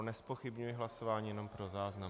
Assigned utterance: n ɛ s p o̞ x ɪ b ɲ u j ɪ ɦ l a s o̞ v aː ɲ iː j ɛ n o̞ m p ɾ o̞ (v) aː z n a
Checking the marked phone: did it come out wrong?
yes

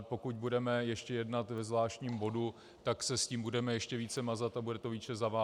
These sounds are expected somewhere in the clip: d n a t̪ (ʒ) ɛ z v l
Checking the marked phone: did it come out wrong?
yes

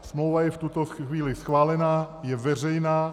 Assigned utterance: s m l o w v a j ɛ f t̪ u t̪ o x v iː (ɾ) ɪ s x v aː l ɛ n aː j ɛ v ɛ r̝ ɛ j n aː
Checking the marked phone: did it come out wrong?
yes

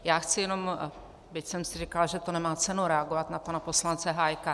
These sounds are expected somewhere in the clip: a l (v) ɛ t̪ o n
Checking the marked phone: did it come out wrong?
yes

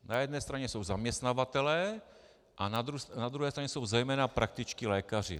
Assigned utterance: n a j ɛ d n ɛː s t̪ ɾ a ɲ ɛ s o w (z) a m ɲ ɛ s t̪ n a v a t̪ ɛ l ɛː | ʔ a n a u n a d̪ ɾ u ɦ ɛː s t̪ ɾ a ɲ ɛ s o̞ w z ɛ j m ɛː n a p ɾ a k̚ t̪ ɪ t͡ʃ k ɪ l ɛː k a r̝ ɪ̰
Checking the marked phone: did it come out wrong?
no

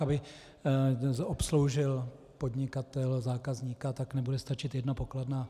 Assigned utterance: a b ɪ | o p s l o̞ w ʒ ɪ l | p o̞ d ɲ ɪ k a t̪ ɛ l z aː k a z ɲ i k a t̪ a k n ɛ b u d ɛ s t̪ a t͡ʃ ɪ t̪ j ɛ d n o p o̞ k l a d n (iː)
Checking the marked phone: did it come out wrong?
yes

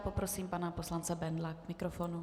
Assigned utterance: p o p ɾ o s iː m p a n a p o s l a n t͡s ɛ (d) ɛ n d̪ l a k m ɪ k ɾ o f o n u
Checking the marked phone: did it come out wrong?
yes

